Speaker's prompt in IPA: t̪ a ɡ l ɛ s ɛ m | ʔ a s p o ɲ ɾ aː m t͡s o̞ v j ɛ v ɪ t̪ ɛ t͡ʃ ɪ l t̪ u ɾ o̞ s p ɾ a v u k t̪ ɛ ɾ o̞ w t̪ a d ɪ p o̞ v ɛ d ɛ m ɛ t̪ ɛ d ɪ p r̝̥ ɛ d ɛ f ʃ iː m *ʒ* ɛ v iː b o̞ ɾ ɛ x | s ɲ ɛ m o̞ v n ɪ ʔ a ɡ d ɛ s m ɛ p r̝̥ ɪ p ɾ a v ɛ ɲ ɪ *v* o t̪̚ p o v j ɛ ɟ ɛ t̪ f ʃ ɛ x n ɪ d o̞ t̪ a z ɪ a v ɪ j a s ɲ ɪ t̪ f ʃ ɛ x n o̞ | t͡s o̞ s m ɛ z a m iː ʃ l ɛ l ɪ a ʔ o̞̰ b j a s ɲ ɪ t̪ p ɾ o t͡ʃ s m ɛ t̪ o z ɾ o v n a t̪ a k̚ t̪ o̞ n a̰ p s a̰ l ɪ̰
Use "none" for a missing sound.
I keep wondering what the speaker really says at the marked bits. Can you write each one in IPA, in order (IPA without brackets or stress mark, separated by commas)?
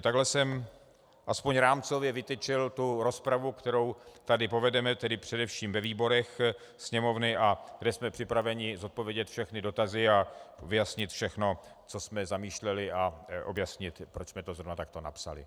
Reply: v, z